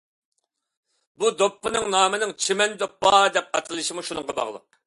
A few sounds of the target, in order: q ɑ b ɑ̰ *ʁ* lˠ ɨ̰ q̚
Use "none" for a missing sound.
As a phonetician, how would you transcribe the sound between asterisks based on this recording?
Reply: ʁ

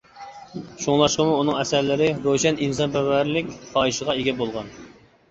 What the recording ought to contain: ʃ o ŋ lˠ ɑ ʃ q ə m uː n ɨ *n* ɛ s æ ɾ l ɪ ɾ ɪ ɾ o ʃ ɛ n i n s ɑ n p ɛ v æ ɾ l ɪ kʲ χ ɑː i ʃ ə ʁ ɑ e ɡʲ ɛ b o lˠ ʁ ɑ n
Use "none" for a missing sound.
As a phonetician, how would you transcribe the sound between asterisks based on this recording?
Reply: ŋ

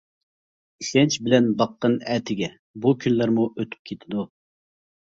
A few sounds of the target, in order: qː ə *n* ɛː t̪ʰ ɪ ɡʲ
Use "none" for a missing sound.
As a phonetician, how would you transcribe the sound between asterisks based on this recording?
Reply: n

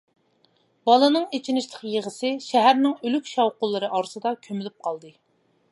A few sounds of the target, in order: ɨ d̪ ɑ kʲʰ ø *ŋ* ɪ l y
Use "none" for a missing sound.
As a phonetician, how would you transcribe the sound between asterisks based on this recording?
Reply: m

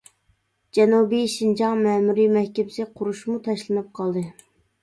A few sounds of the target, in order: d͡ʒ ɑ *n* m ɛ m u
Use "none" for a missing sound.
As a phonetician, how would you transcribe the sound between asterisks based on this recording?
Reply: ŋ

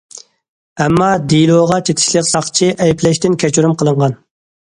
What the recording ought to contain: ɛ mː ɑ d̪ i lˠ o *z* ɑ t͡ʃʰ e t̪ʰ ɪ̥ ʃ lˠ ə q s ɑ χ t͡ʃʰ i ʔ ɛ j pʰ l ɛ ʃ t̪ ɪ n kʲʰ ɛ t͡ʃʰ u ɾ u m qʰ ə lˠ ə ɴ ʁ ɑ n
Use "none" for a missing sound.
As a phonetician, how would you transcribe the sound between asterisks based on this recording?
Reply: ʁ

